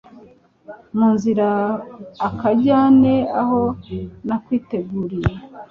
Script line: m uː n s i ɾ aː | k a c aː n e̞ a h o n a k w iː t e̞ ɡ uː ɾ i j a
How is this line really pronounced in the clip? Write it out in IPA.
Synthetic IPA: m uː n z i ɾ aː | k a ɟ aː n e̞ a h o n a k w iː t e̞ ɡ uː ɾ i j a